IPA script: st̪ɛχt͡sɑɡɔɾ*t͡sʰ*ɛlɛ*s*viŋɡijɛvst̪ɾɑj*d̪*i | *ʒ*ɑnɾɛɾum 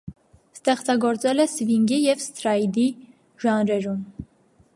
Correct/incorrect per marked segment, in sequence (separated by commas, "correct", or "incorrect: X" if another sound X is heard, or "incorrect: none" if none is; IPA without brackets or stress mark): incorrect: t͡s, correct, correct, correct